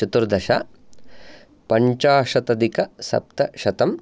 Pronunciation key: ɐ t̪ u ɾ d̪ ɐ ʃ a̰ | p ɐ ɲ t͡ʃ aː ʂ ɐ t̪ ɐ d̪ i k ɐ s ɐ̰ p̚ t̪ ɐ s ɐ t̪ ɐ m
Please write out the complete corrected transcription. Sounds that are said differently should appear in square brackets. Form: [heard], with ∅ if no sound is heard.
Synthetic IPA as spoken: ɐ t̪ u ɾ d̪ ɐ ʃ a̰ | p ɐ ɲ t͡ʃ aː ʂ ɐ t̪ ɐ d̪ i k ɐ s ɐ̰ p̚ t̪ ɐ [ʃ] ɐ t̪ ɐ m